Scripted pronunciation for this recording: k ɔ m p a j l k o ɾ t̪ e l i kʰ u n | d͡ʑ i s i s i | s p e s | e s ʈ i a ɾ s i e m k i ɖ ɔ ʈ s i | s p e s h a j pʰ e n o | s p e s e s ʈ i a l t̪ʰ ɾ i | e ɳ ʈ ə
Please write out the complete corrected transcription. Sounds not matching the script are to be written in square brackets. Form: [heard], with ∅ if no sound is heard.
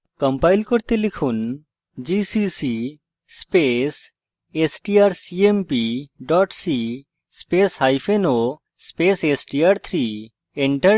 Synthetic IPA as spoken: k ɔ m p a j l k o ɾ t̪ e l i kʰ u n | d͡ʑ i s i s i | s p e s | e s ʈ i a ɾ s i e m [p] i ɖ ɔ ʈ s i | s p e s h a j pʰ e n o | s p e s e s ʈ i a [ɾ] t̪ʰ ɾ i | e ɳ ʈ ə

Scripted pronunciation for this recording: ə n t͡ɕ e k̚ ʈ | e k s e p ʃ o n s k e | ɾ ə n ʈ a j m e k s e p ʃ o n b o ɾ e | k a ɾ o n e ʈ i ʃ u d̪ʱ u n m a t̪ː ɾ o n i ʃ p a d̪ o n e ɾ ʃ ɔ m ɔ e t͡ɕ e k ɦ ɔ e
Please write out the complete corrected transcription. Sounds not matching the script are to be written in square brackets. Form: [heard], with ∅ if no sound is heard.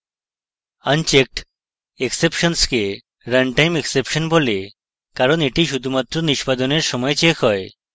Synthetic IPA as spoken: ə n t͡ɕ e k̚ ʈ | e k s e p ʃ o n s k e | ɾ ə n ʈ a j m e k s e p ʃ o n b o [l] e | k a ɾ o n e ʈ i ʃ u d̪ʱ u [∅] m a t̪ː ɾ o n i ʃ p a d̪ o n e ɾ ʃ ɔ m ɔ e t͡ɕ e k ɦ ɔ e

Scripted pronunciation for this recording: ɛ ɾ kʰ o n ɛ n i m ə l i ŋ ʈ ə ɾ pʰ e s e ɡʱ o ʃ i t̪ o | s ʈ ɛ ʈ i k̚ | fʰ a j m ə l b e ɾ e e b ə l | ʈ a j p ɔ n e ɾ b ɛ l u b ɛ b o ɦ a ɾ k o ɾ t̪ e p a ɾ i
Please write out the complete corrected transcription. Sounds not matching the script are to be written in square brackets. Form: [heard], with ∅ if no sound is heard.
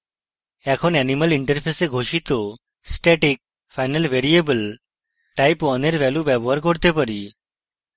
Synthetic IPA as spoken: ɛ [∅] kʰ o n ɛ n i m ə l i [ɳ] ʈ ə ɾ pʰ e s e ɡʱ o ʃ i t̪ o | s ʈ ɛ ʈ i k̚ | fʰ a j [n] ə l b e ɾ [i] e b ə l | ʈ a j p ɔ n e ɾ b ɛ l u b ɛ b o ɦ a ɾ k o ɾ t̪ e p a ɾ i

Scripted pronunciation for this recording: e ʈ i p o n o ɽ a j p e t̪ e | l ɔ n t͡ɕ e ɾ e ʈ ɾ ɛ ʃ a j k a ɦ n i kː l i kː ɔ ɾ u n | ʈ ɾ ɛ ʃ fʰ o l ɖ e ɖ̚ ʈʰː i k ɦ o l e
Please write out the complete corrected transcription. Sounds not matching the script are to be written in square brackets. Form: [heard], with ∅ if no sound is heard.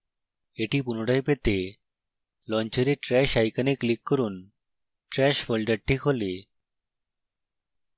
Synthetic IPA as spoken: e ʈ i p [u] n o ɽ a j p e t̪ e | l ɔ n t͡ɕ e ɾ e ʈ ɾ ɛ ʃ a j k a [∅] n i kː l i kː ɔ ɾ u n | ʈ ɾ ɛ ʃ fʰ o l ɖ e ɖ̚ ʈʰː i k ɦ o l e

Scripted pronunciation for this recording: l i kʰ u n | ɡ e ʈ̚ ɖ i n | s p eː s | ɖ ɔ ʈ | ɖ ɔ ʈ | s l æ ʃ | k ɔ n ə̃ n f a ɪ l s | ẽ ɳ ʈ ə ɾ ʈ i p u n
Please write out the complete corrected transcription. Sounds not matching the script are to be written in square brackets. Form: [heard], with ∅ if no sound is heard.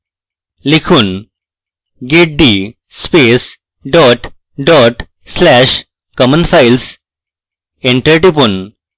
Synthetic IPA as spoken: l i kʰ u n | ɡ e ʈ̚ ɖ i [∅] | s p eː s | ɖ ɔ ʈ | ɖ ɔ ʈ | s l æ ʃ | k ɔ [m] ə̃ n f a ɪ l s | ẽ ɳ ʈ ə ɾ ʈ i p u n

